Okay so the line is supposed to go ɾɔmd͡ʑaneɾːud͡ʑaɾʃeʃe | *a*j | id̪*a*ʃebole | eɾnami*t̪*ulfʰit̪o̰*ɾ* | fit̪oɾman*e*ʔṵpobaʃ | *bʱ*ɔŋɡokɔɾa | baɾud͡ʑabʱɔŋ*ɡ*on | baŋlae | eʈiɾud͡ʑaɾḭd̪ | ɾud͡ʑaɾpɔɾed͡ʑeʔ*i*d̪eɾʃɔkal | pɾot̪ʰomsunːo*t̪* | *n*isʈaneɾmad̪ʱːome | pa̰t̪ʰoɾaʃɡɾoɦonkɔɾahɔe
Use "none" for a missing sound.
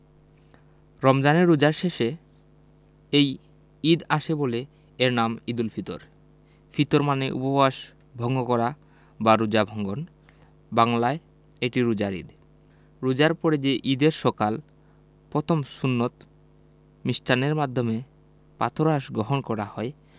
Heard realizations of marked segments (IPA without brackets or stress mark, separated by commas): e, a, d̪, ɾ, e, bʱ, ɡ, i, t̪, m